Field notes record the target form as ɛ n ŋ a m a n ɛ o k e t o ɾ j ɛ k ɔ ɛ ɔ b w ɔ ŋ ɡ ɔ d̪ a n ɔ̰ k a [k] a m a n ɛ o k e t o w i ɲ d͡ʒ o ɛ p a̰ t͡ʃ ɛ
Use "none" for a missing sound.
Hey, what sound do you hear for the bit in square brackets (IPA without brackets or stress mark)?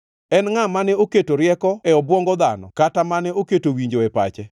t